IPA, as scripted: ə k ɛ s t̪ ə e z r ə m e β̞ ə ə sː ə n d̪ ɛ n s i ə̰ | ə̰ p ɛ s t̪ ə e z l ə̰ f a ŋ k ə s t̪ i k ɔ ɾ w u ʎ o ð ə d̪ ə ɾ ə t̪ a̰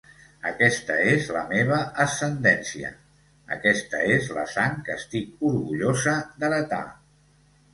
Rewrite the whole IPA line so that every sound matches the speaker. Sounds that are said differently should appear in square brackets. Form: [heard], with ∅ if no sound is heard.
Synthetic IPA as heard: ə k ɛ s t̪ ə e z [l] ə m e β̞ ə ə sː ə n d̪ ɛ n s i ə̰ | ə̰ [k] ɛ s t̪ ə e z l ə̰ [s] a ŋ k ə s t̪ i k [u] ɾ [ɣ] u ʎ o [z] ə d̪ ə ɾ ə t̪ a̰